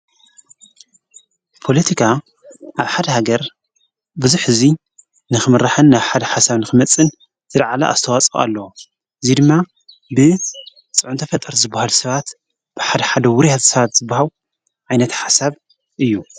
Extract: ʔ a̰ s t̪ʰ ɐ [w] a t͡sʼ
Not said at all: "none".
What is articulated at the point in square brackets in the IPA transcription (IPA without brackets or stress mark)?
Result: w